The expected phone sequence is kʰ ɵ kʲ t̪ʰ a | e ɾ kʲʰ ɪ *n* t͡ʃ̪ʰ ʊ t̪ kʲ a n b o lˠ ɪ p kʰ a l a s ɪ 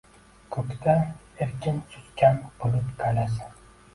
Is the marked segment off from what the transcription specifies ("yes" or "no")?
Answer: no